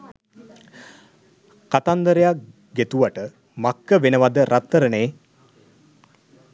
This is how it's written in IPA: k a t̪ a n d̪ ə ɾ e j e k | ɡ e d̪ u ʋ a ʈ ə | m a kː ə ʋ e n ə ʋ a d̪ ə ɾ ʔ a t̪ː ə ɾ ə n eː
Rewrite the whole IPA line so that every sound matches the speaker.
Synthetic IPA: k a t̪ a n d̪ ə ɾ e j a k | ɡ e t̪ u ʋ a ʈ ə | m a kː ə ʋ e n ə ʋ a d̪ ə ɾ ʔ a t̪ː ə ɾ ə n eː